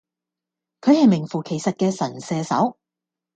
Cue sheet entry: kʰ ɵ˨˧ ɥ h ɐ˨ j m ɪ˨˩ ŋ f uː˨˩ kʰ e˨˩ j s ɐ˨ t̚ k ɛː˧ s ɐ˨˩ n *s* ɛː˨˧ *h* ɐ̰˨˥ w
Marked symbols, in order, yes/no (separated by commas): yes, no